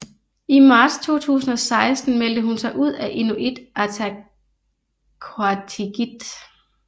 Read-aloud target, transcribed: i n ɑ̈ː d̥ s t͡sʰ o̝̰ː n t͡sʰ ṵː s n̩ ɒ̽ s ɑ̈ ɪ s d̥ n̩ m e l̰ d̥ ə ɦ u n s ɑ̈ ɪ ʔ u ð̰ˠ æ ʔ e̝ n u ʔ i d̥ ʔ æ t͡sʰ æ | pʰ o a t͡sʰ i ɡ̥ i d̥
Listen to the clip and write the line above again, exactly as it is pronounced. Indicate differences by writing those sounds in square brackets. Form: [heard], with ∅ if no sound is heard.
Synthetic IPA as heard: i [m] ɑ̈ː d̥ s t͡sʰ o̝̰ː [∅] t͡sʰ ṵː s n̩ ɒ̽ s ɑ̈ ɪ s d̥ n̩ m e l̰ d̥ ə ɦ u n s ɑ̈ ɪ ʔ u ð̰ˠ æ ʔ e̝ n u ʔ i d̥ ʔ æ t͡sʰ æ | [kʰ] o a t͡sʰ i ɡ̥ i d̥

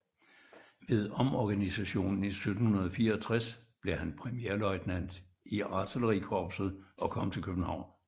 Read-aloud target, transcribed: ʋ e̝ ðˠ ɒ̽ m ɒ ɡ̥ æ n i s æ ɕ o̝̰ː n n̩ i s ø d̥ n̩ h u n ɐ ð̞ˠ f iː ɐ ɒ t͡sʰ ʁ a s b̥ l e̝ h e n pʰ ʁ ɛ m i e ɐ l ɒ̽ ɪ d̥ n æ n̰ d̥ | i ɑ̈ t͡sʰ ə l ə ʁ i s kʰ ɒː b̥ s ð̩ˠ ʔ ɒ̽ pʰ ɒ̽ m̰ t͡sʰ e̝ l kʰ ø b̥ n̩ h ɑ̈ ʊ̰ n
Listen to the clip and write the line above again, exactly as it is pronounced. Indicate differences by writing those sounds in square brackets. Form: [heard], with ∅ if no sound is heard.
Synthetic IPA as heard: ʋ e̝ ðˠ ɒ̽ m ɒ ɡ̥ æ n i s æ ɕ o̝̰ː n n̩ i s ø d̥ n̩ h u n ɐ ð̞ˠ f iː ɐ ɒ t͡sʰ ʁ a s b̥ l e̝ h [æ] n pʰ ʁ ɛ m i e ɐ l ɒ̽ ɪ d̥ n æ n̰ d̥ | i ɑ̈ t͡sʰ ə l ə ʁ i [∅] kʰ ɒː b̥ s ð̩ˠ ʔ ɒ̽ [kʰ] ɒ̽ m̰ t͡sʰ e̝ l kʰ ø b̥ n̩ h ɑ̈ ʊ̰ n

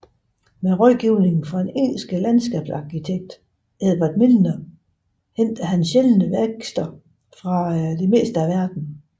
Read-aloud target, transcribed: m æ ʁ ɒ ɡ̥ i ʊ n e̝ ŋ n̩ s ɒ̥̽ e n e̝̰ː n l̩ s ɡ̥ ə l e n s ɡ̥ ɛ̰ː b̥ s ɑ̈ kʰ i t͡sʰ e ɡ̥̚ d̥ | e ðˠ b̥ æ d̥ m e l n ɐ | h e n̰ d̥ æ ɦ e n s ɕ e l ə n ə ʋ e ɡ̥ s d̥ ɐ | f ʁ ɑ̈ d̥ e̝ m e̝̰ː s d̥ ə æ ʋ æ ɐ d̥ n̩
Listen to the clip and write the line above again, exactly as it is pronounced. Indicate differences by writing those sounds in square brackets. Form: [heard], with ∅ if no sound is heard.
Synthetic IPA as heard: m [e] ʁ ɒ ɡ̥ i ʊ n e̝ ŋ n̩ [f] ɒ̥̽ e n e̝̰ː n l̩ s ɡ̥ ə l [æ] n s ɡ̥ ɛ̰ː b̥ s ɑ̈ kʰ i t͡sʰ e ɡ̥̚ d̥ | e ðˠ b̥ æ d̥ m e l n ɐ | h e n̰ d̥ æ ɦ [æ] n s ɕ e l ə n ə ʋ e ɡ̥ s d̥ ɐ | f ʁ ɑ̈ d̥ e̝ m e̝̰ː s d̥ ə æ ʋ æ ɐ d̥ n̩

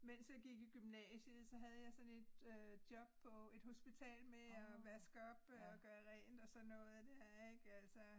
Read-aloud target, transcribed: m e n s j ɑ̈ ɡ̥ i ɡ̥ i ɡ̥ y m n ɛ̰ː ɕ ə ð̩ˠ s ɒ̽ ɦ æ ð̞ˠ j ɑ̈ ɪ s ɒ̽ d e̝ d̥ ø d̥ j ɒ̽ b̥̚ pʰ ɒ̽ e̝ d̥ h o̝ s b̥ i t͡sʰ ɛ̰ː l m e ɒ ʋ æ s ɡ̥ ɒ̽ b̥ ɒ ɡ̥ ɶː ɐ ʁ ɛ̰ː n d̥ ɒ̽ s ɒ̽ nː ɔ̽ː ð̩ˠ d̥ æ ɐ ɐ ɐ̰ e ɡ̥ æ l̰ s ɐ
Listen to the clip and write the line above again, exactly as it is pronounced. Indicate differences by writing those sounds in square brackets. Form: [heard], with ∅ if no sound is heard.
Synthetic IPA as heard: m e n s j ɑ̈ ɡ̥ i ɡ̥ i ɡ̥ y m n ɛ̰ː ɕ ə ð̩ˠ s ɒ̽ ɦ æ ð̞ˠ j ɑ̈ ɪ s ɒ̽ [n] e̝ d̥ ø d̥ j ɒ̽ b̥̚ pʰ ɒ̽ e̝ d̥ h o̝ s b̥ i t͡sʰ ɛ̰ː l m e ɒ ʋ æ s ɡ̥ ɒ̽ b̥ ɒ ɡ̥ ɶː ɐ ʁ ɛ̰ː n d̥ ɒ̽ s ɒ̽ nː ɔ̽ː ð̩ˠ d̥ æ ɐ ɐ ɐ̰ e ɡ̥ æ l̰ s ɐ

